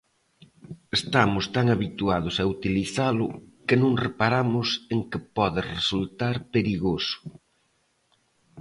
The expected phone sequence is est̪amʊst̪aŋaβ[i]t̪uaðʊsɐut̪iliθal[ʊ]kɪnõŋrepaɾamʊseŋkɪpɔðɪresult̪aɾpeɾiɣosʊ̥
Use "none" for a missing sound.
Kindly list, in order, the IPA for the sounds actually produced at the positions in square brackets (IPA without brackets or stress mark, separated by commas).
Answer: i, ʊ